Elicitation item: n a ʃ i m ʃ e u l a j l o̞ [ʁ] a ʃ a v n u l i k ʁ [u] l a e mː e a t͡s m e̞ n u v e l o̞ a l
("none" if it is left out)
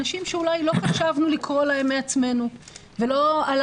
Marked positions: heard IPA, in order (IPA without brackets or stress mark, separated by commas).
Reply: χ, o